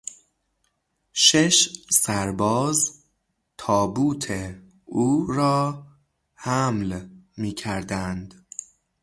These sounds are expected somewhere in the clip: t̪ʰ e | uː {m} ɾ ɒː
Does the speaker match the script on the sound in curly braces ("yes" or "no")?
no